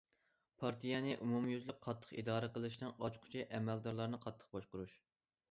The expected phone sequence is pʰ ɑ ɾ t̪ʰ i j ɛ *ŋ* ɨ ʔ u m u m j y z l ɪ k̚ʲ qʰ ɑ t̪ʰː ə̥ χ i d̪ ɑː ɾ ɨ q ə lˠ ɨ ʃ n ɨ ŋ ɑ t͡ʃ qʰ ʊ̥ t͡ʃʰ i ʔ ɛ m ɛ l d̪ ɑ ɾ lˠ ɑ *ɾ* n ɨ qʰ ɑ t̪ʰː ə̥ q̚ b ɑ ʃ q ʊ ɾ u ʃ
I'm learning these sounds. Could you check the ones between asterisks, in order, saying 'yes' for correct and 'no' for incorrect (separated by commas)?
no, yes